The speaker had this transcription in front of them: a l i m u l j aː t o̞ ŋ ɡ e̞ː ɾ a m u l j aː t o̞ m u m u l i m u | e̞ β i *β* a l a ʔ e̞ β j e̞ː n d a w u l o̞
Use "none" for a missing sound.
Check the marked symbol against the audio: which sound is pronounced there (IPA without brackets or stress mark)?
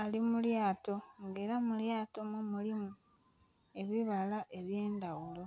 β